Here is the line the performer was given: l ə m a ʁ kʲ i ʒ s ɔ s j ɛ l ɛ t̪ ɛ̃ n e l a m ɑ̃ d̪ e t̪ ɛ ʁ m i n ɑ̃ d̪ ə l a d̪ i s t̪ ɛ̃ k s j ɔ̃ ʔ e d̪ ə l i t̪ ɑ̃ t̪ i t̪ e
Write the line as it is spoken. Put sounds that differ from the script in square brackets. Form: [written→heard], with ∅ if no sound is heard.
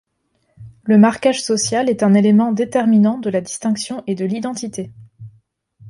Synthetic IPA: l ə m a ʁ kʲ [i→a] ʒ s ɔ s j [ɛ→a] l ɛ t̪ ɛ̃ n e l [a→e] m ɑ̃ d̪ e t̪ ɛ ʁ m i n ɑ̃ d̪ ə l a d̪ i s t̪ ɛ̃ k s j ɔ̃ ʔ e d̪ ə l i [t̪→d̪] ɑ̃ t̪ i t̪ e